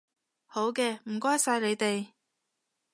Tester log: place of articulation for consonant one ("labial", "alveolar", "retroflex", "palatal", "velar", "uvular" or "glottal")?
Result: glottal